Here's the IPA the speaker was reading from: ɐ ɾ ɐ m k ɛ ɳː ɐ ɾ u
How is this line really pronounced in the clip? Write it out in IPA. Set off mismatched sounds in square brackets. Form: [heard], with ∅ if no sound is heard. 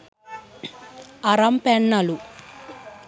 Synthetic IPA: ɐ ɾ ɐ m [p] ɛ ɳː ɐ [l] u